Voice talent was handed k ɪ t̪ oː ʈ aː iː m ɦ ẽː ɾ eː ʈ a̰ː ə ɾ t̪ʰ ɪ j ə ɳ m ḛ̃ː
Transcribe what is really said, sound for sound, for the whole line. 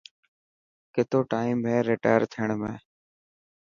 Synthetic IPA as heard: k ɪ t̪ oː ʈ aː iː m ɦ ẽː ɾ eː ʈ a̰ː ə ɾ t̪ʰ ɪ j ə ɳ m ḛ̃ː